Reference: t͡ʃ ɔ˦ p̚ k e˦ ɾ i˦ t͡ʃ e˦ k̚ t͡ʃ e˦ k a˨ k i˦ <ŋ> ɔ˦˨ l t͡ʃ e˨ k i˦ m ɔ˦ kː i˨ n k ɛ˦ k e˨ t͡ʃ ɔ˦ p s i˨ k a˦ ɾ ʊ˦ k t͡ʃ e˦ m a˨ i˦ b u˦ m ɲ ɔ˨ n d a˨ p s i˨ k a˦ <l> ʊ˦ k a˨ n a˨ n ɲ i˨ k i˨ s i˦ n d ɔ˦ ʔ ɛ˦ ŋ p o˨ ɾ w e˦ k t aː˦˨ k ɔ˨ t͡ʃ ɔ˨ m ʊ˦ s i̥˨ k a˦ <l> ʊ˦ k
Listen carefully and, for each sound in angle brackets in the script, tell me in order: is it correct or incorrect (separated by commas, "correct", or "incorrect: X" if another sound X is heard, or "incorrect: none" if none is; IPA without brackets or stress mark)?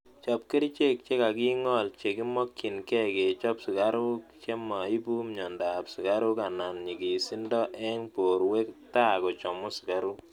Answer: correct, incorrect: ɾ, incorrect: ɾ